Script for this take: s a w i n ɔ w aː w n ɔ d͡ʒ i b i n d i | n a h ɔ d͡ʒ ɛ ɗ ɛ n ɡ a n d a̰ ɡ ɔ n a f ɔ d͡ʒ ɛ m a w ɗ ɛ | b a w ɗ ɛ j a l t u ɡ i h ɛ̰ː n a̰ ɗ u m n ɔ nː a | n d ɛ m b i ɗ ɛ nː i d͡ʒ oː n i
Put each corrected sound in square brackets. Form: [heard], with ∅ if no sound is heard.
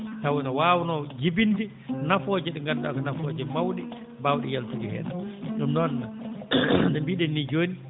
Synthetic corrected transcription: [t] a w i n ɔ w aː w n ɔ d͡ʒ i b i n d i | n a [f] ɔ d͡ʒ ɛ ɗ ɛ [ŋ] ɡ a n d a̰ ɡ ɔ n a f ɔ d͡ʒ ɛ m a w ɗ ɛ | b a w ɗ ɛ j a l t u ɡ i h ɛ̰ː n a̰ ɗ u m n ɔ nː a | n d ɛ m b i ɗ ɛ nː i d͡ʒ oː n i